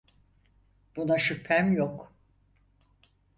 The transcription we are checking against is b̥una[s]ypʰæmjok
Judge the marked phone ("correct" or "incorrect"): incorrect